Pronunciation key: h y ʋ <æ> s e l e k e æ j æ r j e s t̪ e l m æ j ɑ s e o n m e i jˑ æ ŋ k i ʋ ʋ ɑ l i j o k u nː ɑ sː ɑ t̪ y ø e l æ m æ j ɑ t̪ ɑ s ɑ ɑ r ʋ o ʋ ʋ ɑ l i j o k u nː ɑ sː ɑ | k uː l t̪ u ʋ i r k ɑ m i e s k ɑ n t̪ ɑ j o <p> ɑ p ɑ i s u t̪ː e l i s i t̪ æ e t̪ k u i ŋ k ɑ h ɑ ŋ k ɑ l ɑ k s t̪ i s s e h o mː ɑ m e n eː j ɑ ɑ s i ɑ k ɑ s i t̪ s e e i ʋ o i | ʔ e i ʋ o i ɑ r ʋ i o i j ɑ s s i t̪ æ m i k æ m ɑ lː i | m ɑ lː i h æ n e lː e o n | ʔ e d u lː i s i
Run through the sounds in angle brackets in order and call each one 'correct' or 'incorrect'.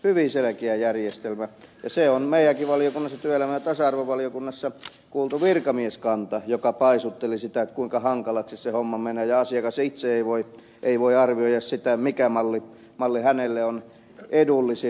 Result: incorrect: i, incorrect: k

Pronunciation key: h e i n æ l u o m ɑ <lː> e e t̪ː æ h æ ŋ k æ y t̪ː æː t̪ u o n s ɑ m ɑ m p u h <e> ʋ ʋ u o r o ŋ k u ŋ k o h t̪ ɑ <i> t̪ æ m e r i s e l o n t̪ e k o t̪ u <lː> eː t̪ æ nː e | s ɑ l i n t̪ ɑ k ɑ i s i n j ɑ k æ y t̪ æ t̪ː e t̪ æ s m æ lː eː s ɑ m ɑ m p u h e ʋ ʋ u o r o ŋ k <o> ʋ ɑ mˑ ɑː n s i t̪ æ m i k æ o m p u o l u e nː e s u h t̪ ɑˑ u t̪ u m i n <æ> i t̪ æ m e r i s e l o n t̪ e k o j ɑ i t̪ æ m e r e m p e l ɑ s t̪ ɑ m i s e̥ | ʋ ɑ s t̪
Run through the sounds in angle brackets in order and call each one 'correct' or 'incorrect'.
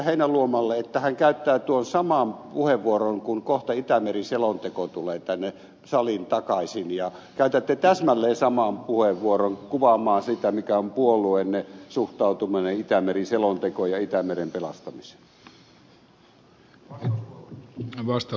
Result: correct, correct, correct, incorrect: l, incorrect: u, incorrect: e

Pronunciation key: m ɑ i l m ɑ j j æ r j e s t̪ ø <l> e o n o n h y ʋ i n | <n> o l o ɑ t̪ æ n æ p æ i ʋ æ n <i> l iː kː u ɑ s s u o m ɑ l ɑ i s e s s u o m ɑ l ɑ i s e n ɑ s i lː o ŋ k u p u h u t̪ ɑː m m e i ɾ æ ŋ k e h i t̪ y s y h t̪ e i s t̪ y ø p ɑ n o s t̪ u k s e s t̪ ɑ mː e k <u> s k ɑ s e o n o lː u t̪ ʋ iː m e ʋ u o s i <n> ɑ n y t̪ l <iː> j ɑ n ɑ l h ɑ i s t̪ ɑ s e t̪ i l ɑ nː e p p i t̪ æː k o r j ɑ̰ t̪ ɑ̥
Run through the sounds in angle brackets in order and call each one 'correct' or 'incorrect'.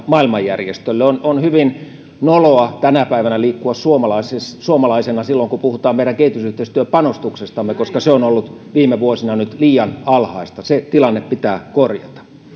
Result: incorrect: lː, correct, incorrect: æ, incorrect: o, correct, correct

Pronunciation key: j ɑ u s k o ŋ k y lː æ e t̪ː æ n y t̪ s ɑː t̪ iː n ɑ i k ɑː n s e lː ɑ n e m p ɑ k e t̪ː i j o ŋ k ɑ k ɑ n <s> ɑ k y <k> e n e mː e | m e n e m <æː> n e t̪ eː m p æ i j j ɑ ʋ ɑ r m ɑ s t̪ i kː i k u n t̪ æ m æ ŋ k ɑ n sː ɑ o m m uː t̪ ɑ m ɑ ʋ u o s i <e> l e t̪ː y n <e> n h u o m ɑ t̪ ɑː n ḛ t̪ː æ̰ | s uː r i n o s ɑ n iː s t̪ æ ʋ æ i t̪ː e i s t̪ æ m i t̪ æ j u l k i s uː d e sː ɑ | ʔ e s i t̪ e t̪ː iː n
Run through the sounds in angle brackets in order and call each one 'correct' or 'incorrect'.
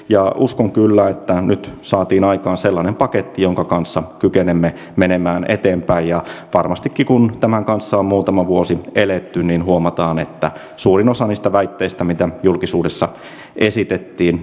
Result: incorrect: sː, correct, correct, correct, incorrect: i

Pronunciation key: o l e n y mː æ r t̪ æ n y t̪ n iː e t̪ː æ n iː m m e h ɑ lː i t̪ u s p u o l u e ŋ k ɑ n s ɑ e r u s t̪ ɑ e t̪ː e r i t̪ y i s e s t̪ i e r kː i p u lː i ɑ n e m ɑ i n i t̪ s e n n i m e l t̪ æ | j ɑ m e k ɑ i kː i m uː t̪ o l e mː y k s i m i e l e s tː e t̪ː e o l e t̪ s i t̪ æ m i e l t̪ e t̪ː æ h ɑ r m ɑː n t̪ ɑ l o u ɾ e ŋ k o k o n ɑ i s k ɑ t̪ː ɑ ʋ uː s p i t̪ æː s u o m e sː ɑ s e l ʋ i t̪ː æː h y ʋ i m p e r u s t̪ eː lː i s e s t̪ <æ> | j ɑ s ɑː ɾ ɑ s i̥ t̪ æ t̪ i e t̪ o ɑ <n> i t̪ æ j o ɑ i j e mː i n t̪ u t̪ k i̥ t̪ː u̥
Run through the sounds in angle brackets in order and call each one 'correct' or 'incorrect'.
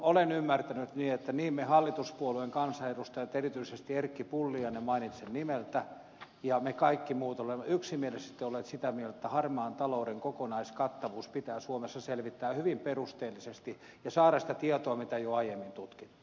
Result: incorrect: i, incorrect: m

